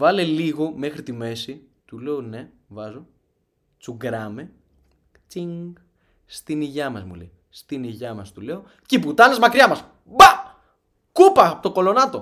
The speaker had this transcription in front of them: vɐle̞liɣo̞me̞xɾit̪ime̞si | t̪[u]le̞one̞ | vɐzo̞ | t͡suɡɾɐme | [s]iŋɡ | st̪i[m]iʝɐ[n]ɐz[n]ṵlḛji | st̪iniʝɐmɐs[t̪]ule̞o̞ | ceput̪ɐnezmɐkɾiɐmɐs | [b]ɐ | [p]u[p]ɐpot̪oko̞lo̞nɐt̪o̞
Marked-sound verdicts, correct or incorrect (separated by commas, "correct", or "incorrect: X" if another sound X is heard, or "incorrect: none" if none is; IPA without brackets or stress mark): correct, incorrect: t͡s, incorrect: n, incorrect: m, incorrect: m, correct, correct, incorrect: k, correct